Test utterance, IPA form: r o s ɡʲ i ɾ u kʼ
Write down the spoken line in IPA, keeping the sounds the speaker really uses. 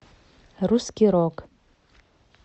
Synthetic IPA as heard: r u s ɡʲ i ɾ o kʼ